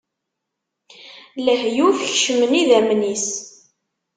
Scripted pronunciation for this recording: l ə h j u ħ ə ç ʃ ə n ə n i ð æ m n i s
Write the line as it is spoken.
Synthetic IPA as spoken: l ə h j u f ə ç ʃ ə m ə n i ð æ m n i s